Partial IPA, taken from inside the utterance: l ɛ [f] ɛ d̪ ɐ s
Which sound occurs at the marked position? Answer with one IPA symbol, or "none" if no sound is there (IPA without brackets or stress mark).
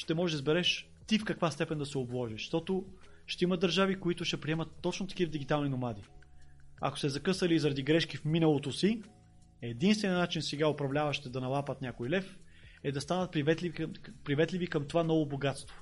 f